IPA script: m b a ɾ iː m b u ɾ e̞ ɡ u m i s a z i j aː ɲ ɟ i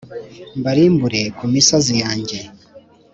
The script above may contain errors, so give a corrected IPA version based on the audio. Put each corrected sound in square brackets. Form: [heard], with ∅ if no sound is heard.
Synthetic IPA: m b a ɾ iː m b u ɾ e̞ [k] u m i s a z i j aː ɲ ɟ [e]